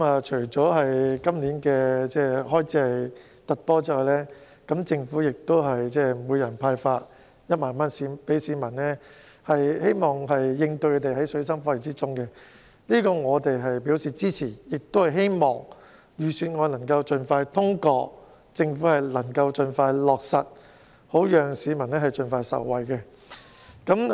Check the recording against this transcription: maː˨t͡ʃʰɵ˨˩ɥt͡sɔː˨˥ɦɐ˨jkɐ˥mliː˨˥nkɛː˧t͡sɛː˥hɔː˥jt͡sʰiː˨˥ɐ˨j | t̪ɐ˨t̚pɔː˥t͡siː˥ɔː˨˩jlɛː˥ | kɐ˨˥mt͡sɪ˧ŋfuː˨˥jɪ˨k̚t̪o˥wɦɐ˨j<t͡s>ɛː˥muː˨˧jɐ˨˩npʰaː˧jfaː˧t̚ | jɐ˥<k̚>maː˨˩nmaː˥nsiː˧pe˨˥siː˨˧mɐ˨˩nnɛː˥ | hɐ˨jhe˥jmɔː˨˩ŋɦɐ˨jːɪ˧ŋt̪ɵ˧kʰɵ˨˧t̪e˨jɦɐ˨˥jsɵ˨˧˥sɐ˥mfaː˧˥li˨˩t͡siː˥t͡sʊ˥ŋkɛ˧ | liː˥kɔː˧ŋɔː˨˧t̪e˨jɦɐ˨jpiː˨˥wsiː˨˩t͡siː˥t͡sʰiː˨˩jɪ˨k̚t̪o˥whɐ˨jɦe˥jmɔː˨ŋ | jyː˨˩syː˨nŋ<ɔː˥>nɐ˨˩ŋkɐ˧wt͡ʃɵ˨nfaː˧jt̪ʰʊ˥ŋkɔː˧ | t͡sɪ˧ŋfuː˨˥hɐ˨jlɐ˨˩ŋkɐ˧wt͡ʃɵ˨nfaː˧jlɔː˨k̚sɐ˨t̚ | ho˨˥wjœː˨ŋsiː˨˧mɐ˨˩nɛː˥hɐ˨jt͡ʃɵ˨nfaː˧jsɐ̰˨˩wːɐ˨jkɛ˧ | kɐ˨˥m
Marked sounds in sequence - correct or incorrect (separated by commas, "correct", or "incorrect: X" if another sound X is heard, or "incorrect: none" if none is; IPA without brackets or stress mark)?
correct, incorrect: t̚, incorrect: ɔː˨˧